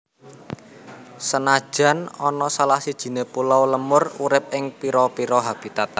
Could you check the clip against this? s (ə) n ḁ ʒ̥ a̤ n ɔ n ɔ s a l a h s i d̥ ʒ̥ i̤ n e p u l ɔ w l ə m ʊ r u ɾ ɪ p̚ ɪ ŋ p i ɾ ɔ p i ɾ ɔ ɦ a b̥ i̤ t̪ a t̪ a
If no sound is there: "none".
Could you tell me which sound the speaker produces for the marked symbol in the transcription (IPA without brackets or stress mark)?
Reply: ə